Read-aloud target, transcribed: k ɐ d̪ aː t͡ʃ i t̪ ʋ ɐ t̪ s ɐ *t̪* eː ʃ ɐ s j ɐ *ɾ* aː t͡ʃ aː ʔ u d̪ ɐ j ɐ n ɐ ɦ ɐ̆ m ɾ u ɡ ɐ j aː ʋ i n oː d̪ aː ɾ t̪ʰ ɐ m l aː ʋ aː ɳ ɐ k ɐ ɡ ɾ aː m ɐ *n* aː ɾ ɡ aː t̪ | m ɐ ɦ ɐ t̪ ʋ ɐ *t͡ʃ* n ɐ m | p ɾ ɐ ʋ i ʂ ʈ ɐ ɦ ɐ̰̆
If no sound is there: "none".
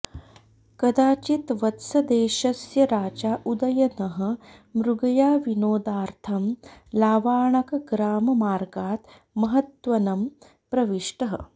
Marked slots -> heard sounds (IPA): d̪, ɾ, m, none

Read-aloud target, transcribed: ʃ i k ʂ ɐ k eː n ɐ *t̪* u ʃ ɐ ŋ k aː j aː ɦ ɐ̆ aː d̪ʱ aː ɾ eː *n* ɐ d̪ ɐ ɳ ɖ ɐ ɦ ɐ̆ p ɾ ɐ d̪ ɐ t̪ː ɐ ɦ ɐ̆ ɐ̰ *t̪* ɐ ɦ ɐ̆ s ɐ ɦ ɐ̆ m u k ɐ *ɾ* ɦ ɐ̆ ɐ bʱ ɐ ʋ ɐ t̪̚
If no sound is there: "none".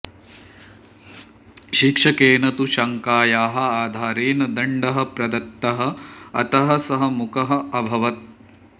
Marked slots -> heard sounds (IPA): t̪, n, t̪, none

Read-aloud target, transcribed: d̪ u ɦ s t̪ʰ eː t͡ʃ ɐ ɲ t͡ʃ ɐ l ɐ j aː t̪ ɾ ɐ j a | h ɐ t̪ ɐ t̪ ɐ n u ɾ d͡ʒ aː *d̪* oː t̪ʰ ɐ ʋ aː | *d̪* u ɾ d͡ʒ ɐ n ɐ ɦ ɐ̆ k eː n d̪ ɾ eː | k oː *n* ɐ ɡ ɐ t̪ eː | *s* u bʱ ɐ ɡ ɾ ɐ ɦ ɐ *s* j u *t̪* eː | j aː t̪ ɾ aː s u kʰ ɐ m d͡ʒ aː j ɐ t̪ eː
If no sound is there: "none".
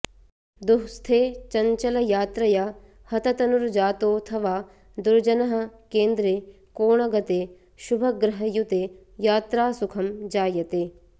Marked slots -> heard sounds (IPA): t̪, d̪, ɳ, ʃ, none, t̪

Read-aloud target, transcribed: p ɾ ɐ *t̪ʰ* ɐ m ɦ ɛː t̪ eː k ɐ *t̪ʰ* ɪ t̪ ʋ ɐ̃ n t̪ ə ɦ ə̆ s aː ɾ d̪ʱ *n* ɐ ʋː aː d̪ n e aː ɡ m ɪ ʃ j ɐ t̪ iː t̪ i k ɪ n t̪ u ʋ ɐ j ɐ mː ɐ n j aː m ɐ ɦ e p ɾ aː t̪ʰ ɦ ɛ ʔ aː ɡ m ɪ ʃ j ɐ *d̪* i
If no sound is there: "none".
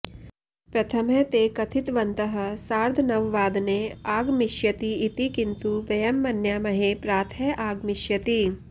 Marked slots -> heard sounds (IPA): t̪ʰ, t̪ʰ, n, t̪

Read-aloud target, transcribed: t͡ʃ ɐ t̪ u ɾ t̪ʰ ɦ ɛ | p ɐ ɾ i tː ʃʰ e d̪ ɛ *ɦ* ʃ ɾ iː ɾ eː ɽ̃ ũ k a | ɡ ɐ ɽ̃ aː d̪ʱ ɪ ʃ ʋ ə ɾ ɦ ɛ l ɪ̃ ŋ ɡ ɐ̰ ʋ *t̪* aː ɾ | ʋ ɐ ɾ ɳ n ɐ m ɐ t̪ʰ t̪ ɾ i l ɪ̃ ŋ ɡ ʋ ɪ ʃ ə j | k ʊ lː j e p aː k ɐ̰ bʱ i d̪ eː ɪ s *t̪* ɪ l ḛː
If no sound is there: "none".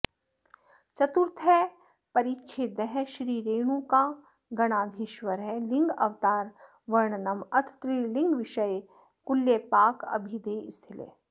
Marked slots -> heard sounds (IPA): ɦ, t̪, t̪ʰ

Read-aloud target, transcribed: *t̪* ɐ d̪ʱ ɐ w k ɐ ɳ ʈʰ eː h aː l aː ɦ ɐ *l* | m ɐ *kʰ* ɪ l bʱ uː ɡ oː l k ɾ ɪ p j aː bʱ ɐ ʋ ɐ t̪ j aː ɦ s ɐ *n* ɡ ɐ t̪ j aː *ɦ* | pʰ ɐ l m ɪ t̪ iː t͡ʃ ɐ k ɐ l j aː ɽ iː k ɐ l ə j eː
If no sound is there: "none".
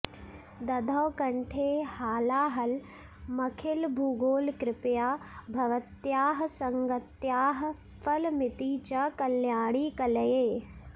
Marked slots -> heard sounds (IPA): d̪, l, kʰ, ŋ, ɦ

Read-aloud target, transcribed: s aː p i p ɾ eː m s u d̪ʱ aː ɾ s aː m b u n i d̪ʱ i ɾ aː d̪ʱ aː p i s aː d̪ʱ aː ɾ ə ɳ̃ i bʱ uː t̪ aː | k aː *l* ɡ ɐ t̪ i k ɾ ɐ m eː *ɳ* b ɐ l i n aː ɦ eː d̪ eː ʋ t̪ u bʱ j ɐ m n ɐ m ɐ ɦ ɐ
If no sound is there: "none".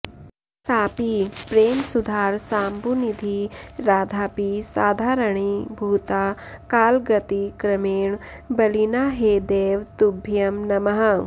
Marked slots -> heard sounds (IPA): l, ɳ

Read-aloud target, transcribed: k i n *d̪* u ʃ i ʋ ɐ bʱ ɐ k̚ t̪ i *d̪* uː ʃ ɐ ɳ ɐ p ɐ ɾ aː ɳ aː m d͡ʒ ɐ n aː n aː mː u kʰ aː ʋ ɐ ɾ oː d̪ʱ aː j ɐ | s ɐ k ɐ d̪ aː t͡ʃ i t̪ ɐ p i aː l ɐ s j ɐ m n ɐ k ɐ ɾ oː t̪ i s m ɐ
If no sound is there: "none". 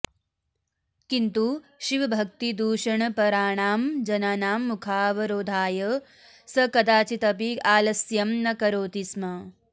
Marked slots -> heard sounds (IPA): t̪, d̪

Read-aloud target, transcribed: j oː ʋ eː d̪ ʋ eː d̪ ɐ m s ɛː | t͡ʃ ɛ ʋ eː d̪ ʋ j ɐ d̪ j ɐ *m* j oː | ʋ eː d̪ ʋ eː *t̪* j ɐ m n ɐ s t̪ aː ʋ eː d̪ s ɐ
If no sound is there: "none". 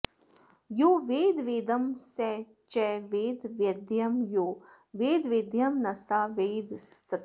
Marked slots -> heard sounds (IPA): m, d̪

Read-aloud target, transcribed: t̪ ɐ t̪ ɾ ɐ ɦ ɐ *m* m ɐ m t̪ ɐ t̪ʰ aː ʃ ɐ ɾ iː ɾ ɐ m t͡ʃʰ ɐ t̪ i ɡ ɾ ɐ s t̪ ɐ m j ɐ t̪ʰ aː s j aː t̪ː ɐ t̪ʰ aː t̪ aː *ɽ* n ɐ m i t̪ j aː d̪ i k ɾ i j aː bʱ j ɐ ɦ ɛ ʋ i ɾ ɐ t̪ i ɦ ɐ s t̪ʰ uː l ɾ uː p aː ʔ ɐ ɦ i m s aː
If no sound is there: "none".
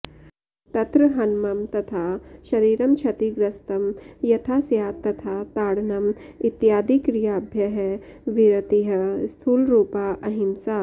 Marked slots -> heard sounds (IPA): n, ɽ

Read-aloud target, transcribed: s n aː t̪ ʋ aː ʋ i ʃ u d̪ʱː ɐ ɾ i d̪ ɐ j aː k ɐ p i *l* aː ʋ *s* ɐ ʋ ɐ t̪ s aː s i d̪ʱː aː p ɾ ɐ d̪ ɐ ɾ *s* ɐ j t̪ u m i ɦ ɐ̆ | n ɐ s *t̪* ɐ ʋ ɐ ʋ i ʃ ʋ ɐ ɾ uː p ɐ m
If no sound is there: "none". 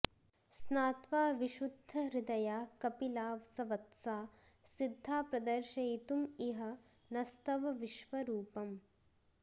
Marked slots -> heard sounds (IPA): l, s, ʃ, t̪

